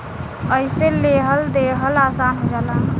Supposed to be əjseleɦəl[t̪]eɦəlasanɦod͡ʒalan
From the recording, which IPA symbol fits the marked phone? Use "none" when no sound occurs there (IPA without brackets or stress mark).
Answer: d̪